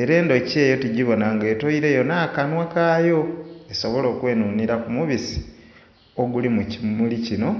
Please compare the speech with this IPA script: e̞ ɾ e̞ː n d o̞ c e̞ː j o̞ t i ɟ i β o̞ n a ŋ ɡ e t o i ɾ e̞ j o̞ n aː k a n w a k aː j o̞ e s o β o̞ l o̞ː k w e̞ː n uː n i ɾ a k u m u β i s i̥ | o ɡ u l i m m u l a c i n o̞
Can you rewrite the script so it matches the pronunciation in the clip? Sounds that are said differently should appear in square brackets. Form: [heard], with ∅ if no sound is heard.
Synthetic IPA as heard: e̞ ɾ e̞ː n d o̞ c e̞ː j o̞ t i ɟ i β o̞ n a ŋ ɡ e t o i ɾ e̞ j o̞ n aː k a n w a k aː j o̞ e s o β o̞ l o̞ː k w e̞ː n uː n i ɾ a k u m u β i s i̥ | o ɡ u l i m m u l [i] c i n o̞

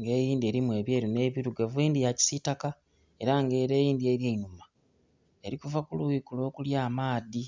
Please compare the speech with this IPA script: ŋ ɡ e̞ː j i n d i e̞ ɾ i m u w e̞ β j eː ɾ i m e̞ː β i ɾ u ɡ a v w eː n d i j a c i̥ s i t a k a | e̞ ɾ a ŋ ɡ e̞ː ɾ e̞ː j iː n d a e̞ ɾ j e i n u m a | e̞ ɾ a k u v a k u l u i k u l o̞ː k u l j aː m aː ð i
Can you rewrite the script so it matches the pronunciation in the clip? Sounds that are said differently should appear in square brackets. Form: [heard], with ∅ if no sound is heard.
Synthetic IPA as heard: ŋ ɡ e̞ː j [iː] n d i e̞ ɾ i m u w e̞ β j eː ɾ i [n] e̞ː β i ɾ u ɡ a v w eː n d i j a c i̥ s i t a k a | e̞ ɾ a ŋ ɡ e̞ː ɾ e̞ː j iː n d [i] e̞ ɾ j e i n u m a | e̞ ɾ [i] k u v a k u l u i k u l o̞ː k u l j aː m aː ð i

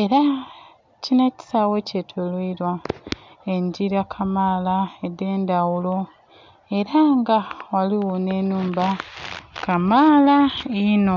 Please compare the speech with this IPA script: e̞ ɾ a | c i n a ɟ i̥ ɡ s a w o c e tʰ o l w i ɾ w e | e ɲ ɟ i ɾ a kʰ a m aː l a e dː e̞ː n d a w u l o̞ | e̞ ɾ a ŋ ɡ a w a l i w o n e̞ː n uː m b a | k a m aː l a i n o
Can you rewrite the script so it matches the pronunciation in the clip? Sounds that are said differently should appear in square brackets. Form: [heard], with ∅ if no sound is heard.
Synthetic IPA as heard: e̞ ɾ a | c i n a [c] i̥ [∅] s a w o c e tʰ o l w i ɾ w [a] | e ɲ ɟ i ɾ a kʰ a m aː l a e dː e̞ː n d a w u l o̞ | e̞ ɾ a ŋ ɡ a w a l i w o n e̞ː n uː m b a | k a m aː l a i n o

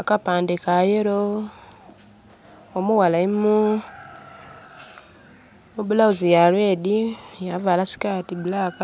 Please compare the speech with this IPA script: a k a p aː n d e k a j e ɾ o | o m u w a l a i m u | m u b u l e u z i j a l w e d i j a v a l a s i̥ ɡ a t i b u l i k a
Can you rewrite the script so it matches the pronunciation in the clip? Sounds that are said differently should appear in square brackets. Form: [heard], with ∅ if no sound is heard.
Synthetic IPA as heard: a k a p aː n d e k a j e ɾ o | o m u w a l a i m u | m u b u l [a] u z i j a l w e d i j a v a l a s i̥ [k] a t i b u l [a] k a

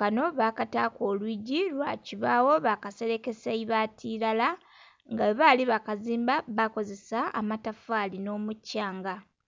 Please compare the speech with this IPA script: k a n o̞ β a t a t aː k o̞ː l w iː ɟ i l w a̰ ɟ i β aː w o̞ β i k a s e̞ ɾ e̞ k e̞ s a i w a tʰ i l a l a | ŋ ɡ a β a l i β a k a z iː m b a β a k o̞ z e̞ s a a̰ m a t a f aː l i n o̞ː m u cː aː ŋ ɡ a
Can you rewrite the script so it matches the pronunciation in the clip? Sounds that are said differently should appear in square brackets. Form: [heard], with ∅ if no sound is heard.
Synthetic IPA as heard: k a n o̞ β a [k] a t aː k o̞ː l w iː ɟ i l w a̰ [c] i β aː w o̞ β [a] k a s e̞ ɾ e̞ k e̞ s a i [β] a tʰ i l a l a | ŋ ɡ a β a l i β a k a z iː m b a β a k o̞ z e̞ s a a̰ m a t a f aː l i n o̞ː m u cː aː ŋ ɡ a

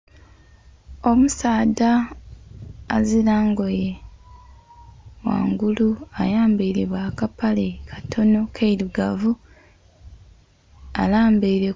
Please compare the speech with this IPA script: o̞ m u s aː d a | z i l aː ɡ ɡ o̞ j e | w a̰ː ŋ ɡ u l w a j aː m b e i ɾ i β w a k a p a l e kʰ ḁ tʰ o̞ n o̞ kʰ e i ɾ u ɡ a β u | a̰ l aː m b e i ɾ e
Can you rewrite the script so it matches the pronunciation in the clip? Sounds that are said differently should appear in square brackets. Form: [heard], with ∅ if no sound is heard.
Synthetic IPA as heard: o̞ m u s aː d a | z i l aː [ŋ] ɡ o̞ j e | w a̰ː ŋ ɡ u l [u] a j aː m b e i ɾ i β w a k a p a l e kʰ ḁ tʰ o̞ n o̞ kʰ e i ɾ u ɡ a [v] u | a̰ l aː m b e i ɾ e

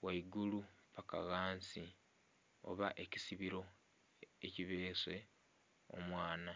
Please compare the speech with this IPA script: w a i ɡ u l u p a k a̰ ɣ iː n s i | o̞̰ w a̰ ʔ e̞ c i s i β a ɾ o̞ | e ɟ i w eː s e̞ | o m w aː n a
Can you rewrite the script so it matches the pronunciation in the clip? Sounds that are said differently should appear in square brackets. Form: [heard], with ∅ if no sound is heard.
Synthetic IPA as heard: w a i ɡ u l u p a k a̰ ɣ [aː] n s i | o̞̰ [β] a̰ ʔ e̞ c i s i β [i] ɾ o̞ | e [c] i [β] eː s e̞ | o m w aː n a

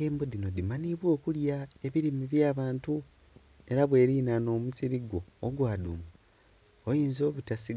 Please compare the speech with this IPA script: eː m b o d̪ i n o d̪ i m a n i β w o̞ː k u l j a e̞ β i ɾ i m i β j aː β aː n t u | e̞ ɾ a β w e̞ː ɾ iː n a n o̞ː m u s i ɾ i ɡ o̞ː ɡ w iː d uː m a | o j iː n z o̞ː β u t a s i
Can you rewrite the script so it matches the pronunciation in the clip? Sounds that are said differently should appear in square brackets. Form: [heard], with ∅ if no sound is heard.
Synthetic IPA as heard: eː m b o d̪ i n o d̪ i m a n i β w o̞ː k u l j a e̞ β i ɾ i m i β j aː β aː n t u | e̞ ɾ a β w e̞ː ɾ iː n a n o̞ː m u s i ɾ i ɡ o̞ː ɡ w [aː] d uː m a | o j iː n z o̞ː β u t a s i

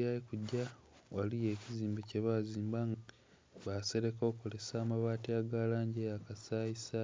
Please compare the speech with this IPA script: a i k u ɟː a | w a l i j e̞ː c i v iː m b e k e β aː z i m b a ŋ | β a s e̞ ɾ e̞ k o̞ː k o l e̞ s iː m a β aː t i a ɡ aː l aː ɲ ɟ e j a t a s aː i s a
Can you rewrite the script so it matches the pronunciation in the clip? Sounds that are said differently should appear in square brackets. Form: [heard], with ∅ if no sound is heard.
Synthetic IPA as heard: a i k u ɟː a | w a l i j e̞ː c i [z] iː m b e [c] e β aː z [iː] m b a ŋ | β a s e̞ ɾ e̞ k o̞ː k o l e̞ s [aː] m a β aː t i a ɡ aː l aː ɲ ɟ e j a [k] a s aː i s a

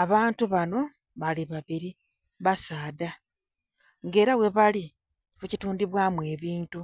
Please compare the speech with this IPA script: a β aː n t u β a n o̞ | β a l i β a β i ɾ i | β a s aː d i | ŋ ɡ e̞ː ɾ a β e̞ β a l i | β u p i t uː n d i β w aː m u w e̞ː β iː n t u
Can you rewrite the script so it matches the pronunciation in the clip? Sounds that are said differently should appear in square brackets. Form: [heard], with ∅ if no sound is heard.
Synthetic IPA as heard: a β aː n t u β a n o̞ | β a l i β a β i ɾ i | β a s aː d [a] | ŋ ɡ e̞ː ɾ a [w] e̞ β a l i | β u [c] i t uː n d i β w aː m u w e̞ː β iː n t u

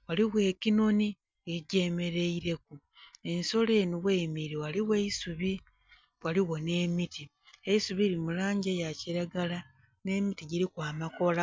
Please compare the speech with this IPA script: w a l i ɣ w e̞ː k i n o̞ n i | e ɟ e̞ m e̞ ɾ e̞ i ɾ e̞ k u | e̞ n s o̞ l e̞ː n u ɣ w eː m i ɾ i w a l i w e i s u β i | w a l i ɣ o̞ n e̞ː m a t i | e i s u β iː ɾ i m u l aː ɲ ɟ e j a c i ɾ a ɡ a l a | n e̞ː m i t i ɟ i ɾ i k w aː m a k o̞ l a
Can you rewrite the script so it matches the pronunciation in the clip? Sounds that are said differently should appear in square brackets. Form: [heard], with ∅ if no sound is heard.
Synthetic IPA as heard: w a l i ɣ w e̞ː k i n o̞ n i | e ɟ e̞ m e̞ ɾ e̞ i ɾ e̞ k u | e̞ n s o̞ l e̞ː n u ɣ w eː m i ɾ i w a l i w e i s u β i | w a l i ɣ o̞ n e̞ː m [i] t i | e i s u β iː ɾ i m u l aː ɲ ɟ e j a c i ɾ a ɡ a l a | n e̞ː m i t i ɟ i ɾ i k w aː m a k o̞ l a

